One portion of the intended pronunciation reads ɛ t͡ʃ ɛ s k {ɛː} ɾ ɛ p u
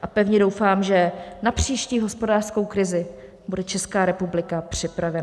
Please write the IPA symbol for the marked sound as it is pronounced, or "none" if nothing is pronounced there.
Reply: aː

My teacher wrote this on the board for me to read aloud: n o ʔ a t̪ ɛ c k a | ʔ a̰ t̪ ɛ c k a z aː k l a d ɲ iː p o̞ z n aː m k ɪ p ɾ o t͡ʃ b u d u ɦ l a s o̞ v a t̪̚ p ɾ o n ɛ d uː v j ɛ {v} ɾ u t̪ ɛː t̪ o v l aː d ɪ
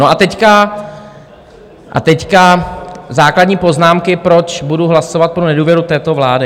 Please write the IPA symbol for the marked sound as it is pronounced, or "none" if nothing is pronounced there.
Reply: none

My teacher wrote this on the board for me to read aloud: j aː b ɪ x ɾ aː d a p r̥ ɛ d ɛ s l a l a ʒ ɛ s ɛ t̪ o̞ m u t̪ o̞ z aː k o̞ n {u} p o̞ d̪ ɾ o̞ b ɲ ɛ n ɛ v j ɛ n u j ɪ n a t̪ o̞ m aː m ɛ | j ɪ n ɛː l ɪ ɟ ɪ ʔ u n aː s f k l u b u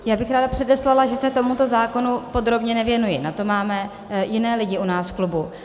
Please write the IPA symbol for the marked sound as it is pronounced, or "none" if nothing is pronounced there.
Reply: u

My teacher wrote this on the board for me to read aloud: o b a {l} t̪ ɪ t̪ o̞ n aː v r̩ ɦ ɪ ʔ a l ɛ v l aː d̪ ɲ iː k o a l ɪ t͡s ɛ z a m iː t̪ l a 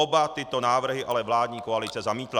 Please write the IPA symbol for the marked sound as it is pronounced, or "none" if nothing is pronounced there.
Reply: none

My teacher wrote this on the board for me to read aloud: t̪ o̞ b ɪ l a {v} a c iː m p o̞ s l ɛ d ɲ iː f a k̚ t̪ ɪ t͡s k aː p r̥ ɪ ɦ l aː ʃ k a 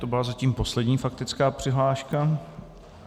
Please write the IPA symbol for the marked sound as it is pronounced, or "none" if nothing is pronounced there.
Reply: z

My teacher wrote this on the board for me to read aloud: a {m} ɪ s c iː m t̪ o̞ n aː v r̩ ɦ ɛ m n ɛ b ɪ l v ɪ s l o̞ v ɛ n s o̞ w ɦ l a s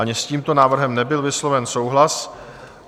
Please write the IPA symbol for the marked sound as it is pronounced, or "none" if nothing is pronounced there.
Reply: ɲ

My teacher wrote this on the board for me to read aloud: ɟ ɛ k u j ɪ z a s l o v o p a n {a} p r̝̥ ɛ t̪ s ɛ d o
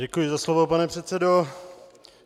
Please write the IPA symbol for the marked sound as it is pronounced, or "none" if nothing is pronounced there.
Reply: ɛ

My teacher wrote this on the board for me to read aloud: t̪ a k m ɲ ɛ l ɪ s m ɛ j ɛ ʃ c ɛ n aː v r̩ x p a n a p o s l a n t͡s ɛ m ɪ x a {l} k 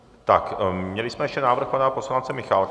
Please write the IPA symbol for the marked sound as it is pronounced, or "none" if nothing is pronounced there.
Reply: l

